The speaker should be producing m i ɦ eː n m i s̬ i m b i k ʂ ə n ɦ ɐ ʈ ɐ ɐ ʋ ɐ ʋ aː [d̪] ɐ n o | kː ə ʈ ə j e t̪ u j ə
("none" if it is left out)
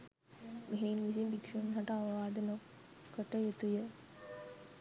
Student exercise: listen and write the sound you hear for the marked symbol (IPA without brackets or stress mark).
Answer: d̪